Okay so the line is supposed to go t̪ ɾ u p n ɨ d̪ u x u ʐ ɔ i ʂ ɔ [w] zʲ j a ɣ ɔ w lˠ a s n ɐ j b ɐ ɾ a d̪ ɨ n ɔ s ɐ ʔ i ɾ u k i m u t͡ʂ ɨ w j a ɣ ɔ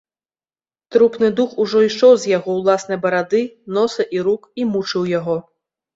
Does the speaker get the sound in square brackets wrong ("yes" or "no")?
no